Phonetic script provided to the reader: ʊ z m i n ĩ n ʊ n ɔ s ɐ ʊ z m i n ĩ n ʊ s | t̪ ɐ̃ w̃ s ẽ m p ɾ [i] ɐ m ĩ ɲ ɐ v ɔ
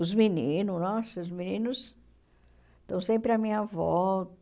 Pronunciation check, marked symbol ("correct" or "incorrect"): incorrect